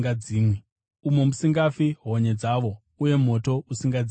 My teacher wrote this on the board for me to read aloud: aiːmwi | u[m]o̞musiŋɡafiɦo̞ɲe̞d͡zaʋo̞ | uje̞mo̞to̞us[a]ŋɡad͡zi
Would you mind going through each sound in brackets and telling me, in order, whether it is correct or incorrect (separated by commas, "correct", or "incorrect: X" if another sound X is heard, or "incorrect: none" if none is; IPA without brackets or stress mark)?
correct, incorrect: i